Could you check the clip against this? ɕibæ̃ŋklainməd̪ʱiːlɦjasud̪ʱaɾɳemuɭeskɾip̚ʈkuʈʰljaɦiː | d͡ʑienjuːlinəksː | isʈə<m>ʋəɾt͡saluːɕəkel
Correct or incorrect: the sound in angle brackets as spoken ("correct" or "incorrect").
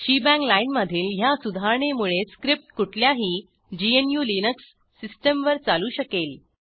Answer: correct